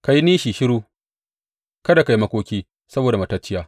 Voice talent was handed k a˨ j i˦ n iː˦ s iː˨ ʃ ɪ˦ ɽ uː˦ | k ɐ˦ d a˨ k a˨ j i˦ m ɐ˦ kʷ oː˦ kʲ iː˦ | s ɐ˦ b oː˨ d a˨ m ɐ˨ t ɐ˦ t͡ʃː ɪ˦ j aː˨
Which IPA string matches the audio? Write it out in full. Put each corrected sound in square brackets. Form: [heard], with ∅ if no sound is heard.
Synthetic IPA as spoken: k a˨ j i˦ n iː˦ [ʃ] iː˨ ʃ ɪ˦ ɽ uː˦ | k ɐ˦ d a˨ k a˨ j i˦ m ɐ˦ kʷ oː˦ kʲ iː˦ | s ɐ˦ b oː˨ d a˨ m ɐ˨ t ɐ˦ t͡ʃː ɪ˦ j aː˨

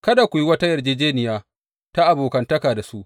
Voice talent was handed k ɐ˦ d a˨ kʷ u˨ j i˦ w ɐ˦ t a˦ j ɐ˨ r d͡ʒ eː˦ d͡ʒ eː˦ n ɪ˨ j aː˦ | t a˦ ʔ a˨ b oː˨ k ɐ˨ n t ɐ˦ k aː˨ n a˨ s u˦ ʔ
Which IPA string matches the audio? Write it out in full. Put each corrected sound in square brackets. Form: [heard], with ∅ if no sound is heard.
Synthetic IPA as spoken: k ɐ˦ d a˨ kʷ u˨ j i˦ w ɐ˦ t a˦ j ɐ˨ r d͡ʒ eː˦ d͡ʒ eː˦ n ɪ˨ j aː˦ | t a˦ ʔ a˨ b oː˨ k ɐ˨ n t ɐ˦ k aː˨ [d] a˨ s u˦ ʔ

